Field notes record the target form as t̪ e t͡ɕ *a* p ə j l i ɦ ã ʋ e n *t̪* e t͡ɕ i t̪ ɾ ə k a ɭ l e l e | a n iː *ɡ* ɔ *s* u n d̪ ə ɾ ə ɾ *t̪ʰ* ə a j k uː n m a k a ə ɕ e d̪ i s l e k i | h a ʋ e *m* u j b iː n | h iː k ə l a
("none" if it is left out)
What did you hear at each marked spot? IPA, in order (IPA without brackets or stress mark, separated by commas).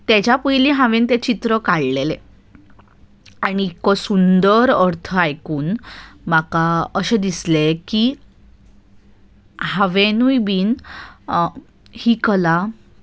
a, t̪, k, s, t̪ʰ, n